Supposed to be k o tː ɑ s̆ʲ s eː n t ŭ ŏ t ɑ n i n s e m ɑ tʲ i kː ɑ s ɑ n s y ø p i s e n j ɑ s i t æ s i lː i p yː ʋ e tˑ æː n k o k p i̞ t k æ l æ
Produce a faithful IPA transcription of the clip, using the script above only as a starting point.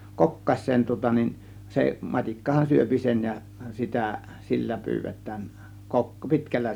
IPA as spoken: k o kː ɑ s̆ʲ s eː n t ŭ ŏ t ɑ n i n s e m ɑ tʲ i kː ɑ h ɑ n s y ø p i s e n j ɑ s i t æ s i lː æ p yː ʋ e tˑ æː n k o k p i̞ t k æ lː æ